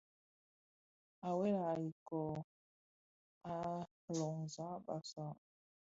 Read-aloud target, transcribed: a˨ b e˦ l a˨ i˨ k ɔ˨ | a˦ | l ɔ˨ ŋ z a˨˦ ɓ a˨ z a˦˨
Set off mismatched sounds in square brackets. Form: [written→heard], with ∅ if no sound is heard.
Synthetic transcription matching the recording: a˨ [b→w] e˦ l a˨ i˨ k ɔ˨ | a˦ | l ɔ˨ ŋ z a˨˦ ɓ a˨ [z→s] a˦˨